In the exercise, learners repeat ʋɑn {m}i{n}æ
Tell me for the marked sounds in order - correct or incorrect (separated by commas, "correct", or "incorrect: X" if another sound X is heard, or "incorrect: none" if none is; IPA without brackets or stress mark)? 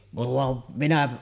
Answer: correct, correct